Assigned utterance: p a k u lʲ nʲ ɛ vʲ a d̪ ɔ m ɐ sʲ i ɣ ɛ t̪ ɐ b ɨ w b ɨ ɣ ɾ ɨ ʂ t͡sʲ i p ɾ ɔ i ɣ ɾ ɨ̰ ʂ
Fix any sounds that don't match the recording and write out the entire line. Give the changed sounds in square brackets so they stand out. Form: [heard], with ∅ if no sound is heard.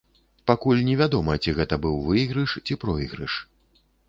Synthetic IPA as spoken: p a k u lʲ nʲ ɛ vʲ a d̪ ɔ m ɐ [t͡sʲ] i ɣ ɛ t̪ ɐ b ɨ w [v] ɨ ɣ ɾ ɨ ʂ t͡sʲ i p ɾ ɔ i ɣ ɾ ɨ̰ ʂ